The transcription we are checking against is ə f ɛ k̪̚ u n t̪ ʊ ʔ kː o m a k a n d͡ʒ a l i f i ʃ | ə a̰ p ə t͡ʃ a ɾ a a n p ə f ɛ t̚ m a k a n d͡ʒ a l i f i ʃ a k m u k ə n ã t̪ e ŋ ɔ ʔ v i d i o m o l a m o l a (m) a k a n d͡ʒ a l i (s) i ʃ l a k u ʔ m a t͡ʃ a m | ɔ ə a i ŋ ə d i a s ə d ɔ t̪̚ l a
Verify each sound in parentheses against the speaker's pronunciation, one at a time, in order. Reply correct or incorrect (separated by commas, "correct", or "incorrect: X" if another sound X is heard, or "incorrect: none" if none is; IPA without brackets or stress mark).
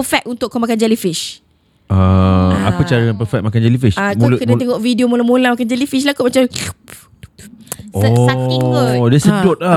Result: correct, incorrect: f